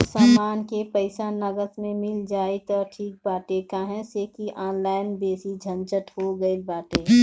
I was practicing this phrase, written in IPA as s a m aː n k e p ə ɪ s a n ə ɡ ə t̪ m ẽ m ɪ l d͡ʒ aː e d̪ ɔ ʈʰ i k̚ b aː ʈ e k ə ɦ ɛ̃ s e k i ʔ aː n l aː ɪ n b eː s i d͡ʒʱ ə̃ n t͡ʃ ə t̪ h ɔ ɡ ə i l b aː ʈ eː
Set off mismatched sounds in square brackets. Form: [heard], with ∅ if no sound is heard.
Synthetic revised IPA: s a m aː n k e p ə ɪ s a n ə ɡ ə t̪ m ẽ m ɪ l d͡ʒ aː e [t̪] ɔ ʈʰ [iː] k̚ b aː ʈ e k [a] ɦ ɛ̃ s e k i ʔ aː n l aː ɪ n b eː s i d͡ʒʱ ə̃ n t͡ʃ ə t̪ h [o] ɡ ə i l b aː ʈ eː